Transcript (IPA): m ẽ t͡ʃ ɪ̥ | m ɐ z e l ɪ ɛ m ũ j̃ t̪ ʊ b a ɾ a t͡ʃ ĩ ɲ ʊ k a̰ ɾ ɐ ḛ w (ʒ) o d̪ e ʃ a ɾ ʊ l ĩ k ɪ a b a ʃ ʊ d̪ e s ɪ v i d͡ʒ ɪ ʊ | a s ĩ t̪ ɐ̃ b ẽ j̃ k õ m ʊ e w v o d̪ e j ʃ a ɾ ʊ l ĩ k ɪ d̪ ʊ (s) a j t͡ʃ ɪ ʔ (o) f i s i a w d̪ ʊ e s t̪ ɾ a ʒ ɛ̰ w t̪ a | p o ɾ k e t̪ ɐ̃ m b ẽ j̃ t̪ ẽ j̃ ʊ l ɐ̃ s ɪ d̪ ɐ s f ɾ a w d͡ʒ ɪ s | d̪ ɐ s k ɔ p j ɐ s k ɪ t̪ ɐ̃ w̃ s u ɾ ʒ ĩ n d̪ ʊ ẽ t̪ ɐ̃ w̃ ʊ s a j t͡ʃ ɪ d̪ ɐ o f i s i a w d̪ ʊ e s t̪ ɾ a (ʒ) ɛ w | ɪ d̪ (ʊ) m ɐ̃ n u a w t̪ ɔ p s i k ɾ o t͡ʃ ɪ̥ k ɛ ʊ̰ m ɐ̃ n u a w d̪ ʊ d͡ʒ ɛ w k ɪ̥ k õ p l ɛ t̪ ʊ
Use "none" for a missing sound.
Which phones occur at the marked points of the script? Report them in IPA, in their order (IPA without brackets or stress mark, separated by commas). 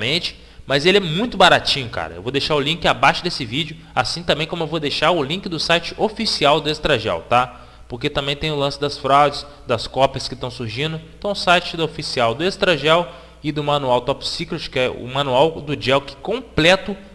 v, s, o, ʒ, ʊ